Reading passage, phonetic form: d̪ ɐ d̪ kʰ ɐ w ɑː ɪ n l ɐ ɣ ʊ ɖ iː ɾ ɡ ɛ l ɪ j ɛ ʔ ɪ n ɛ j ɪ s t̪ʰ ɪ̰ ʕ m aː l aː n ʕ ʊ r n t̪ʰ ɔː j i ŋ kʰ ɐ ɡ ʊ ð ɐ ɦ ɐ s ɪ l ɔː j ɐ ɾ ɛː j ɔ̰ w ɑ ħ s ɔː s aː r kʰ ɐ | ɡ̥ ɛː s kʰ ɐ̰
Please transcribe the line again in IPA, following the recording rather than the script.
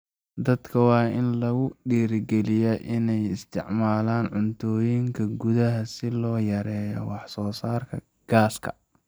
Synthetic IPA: d̪ ɐ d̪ kʰ ɐ w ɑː ɪ n l ɐ ɣ ʊ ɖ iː ɾ ɡ ɛ l ɪ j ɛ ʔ ɪ n ɛ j ɪ s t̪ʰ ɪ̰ ʕ m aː l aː n ʕ ʊ n t̪ʰ ɔː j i ŋ kʰ ɐ ɡ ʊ ð ɐ ɦ ɐ s ɪ l ɔː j ɐ ɾ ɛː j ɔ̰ w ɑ ħ s ɔː s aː r kʰ ɐ | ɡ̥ aː s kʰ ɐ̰

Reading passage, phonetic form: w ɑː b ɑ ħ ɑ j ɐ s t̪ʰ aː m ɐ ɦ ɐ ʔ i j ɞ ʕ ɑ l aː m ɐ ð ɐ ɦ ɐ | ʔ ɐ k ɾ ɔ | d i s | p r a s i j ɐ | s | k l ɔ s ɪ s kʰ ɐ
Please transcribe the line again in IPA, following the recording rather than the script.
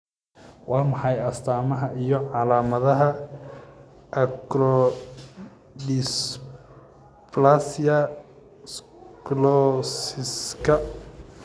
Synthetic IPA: w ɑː m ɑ ħ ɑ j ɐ s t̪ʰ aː m ɐ ɦ ɐ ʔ i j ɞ ʕ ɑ l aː m ɐ ð ɐ ɦ ɐ | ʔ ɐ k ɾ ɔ | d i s | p l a s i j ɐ | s | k l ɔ s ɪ s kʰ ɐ

